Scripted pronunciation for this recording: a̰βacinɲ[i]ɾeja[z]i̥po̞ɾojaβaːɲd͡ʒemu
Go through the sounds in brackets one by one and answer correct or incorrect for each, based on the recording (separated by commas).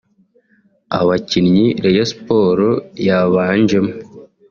correct, incorrect